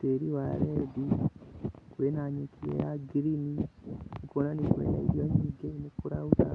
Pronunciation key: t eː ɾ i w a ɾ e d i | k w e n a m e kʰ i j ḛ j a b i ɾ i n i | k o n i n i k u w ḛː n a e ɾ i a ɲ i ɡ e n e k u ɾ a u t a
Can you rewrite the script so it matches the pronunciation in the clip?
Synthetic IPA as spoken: t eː ɾ i w a ɾ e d i | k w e n a ɲ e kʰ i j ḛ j a ɡ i ɾ i n i | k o n a n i k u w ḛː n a i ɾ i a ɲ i ɡ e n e k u ɾ a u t a